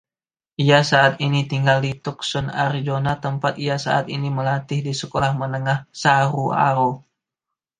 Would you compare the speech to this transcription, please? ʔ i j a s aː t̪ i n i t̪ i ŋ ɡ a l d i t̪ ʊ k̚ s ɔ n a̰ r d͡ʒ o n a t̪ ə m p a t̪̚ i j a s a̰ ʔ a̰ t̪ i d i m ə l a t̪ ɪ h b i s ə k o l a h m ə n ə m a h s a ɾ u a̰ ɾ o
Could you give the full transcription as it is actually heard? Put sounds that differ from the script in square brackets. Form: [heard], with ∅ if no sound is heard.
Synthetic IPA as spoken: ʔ i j a s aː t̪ i n i t̪ i ŋ ɡ a l d i t̪ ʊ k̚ s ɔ n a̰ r d͡ʒ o n a t̪ ə m p a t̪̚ i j a s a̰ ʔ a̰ t̪ i [n] i m ə l a t̪ ɪ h [d] i s ə k o l a h m ə n ə [ŋ] a h s a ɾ u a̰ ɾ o